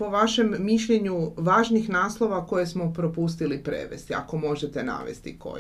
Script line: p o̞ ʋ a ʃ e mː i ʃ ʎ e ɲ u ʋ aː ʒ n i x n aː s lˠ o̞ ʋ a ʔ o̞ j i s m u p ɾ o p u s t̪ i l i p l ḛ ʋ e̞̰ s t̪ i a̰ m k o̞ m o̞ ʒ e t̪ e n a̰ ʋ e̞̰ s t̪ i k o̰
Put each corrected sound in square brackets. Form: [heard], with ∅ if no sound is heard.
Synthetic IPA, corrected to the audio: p o̞ ʋ a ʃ e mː i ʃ ʎ e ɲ u ʋ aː ʒ n i x n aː s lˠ o̞ ʋ a [k] o̞ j [e] s m [o] p ɾ o p u s t̪ i l i p [ɾ] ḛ ʋ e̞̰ s t̪ i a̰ [∅] k o̞ m o̞ ʒ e t̪ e n a̰ ʋ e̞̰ s t̪ i k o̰